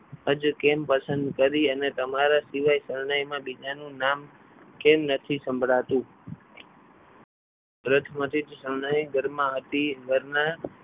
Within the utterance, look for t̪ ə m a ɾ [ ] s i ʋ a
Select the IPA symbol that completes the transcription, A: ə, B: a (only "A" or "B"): B